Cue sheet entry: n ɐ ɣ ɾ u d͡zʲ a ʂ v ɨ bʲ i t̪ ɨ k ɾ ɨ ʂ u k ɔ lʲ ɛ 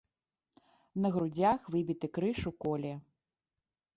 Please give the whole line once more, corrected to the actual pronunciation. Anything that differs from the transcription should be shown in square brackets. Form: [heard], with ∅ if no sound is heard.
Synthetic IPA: n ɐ ɣ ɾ u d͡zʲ a [x] v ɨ bʲ i t̪ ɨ k ɾ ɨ ʂ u k ɔ lʲ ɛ